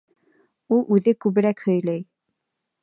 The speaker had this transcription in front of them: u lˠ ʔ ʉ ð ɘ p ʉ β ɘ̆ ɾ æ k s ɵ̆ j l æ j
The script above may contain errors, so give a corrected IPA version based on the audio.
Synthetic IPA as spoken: u lˠ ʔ ʉ ð ɘ k ʉ β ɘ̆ ɾ æ k h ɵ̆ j l æ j